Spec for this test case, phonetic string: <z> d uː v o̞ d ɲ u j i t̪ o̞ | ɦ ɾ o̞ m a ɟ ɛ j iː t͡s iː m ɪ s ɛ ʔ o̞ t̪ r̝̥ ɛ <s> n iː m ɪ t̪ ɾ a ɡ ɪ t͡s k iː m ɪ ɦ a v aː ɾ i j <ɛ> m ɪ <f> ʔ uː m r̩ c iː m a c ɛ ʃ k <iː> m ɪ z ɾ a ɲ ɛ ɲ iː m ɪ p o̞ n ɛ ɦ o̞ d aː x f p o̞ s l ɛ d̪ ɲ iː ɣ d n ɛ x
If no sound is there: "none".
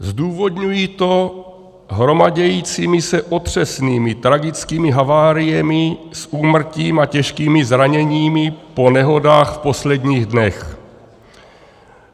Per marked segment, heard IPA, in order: z, s, ɛ, s, iː

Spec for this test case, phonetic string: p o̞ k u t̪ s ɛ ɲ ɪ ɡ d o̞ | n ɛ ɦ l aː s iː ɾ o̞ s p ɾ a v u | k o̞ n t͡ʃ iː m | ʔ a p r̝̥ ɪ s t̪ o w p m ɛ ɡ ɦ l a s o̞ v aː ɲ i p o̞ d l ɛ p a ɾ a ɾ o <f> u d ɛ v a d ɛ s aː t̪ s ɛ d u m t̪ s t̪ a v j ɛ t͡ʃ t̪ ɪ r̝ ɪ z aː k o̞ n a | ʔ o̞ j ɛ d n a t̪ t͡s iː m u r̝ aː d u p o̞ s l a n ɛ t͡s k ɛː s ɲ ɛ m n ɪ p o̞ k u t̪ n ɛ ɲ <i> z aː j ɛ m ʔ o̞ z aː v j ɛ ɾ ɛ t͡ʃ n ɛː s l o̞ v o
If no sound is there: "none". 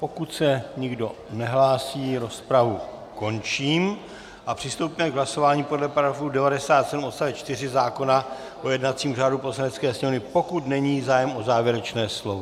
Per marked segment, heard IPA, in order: f, iː

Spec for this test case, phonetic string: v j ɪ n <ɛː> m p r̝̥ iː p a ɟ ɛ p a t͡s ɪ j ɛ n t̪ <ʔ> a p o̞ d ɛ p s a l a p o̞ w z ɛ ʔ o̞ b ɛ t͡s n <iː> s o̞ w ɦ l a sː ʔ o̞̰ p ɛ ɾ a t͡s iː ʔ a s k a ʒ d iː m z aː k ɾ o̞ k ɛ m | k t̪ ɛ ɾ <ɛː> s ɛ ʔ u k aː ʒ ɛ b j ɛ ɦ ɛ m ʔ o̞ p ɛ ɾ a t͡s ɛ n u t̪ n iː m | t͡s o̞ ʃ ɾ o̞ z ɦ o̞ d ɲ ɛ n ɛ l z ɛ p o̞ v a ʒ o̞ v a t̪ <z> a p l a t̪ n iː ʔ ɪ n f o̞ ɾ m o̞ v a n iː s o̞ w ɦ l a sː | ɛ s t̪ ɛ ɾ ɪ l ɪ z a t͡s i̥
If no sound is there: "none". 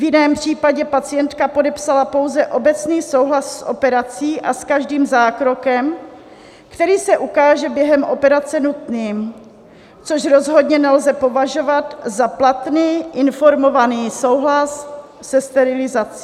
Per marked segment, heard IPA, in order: ɛː, k, iː, iː, z

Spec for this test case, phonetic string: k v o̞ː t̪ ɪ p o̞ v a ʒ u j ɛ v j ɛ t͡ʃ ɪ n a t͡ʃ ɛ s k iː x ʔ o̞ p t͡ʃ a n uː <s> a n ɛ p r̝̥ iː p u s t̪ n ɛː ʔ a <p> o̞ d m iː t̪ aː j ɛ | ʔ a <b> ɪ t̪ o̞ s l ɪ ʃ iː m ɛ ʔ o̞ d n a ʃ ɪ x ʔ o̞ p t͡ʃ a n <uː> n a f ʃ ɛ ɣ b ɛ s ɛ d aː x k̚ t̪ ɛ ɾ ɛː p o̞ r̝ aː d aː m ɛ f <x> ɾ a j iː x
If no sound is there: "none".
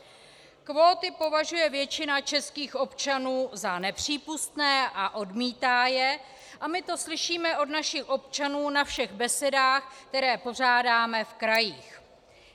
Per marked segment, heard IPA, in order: z, ʔ, m, uː, k

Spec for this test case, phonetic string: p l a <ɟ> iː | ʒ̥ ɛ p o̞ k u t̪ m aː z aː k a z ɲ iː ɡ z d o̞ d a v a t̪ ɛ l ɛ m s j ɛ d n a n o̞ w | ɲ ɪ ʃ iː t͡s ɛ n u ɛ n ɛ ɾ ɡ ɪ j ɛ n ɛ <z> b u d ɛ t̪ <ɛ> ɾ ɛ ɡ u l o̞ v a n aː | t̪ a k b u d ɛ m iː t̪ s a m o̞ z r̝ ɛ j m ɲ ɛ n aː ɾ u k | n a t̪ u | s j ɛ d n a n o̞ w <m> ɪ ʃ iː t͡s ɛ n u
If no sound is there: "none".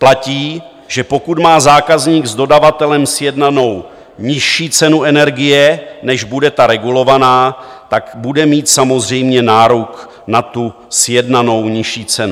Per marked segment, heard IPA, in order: c, ʒ, a, ɲ

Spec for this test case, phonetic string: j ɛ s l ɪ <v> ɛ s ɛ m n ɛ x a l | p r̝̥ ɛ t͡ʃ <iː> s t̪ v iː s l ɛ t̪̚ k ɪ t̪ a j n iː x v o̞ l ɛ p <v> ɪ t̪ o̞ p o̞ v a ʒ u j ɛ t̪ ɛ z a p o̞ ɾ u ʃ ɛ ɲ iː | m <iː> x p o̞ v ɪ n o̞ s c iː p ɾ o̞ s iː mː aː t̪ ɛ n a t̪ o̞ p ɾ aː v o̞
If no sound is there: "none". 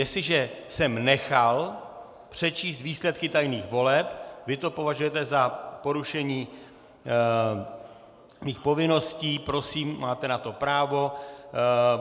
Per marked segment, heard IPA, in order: ʒ, iː, v, iː

